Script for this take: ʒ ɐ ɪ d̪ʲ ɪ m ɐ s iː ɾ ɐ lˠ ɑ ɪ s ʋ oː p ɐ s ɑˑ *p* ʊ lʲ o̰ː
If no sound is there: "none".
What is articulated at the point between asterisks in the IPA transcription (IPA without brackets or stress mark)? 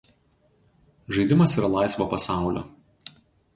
none